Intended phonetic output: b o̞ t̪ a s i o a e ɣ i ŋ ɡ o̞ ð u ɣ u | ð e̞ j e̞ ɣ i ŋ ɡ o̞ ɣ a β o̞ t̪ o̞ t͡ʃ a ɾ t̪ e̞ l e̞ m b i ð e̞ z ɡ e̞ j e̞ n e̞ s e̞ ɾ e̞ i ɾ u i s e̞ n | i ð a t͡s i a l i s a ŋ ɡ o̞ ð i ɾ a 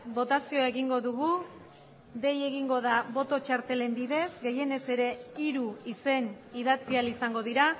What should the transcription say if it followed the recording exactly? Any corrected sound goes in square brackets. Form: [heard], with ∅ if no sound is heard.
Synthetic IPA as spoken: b o̞ t̪ a s i o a e ɣ i ŋ ɡ o̞ ð u ɣ u | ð e̞ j e̞ ɣ i ŋ ɡ o̞ [ð] a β o̞ t̪ o̞ t͡ʃ a ɾ t̪ e̞ l e̞ m b i ð e̞ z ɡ e̞ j e̞ n e̞ s e̞ ɾ e̞ i ɾ u i s e̞ n | i ð a t͡s i a l i s a ŋ ɡ o̞ ð i ɾ a